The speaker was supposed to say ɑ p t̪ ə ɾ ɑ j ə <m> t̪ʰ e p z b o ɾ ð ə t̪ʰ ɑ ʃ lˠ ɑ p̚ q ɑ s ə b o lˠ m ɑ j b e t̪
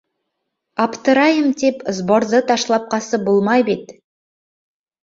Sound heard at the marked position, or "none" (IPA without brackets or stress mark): m